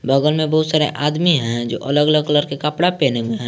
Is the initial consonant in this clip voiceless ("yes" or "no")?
no